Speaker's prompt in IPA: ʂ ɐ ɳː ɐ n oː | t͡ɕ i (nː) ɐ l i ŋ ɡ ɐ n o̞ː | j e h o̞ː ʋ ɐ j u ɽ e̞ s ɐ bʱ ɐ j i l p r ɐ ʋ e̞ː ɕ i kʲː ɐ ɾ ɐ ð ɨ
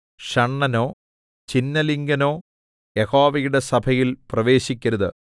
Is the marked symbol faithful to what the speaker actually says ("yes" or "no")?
yes